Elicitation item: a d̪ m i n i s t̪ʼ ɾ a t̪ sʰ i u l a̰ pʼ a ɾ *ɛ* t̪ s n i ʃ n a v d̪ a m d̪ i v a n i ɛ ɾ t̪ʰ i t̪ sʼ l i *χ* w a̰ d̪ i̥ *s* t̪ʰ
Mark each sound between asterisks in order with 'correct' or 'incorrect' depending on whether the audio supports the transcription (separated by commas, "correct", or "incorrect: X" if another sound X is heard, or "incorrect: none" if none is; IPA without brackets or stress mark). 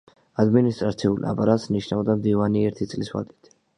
incorrect: a, incorrect: s, incorrect: none